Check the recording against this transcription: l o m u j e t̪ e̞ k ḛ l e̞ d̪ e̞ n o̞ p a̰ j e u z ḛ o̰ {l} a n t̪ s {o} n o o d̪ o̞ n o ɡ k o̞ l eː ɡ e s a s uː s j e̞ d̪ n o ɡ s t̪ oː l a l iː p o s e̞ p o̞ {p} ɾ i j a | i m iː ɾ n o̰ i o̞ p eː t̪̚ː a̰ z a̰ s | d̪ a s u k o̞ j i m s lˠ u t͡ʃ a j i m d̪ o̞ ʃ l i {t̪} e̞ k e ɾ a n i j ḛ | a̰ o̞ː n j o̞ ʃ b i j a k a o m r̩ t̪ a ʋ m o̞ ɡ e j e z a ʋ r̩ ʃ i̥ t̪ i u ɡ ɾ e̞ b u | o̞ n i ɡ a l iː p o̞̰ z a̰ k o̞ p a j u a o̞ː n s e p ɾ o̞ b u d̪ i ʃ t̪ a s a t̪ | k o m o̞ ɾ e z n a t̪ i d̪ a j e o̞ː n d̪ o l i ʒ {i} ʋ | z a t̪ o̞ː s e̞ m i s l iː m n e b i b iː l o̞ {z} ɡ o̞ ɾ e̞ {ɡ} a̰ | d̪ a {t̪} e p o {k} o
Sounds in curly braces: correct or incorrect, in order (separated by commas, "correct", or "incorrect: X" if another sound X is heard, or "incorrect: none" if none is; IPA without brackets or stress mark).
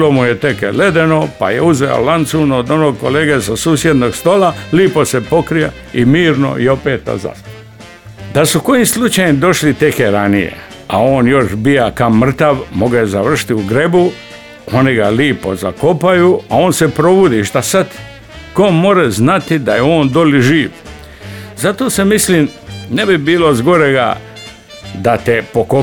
correct, incorrect: u, incorrect: k, correct, incorrect: iː, correct, correct, correct, correct